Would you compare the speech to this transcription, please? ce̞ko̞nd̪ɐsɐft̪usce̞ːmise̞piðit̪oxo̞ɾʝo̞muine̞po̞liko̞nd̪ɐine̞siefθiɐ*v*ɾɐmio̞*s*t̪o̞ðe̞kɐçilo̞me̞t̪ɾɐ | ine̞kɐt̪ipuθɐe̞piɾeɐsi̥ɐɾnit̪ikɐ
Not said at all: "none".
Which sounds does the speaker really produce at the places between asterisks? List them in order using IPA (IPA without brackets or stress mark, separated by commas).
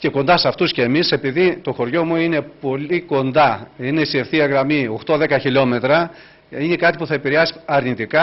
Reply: ɣ, x